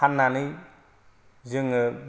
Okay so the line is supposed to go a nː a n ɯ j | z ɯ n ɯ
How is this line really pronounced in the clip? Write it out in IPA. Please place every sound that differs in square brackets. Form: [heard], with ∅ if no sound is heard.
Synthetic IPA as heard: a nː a n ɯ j | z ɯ [ŋ] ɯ